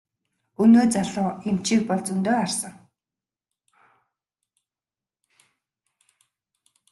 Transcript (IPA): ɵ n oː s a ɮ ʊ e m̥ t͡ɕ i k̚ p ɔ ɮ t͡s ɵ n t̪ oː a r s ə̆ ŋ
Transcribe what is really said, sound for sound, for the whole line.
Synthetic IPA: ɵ n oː t͡s a ɮ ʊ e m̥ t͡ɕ i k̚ p ɔ ɮ t͡s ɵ n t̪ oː a r s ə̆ ŋ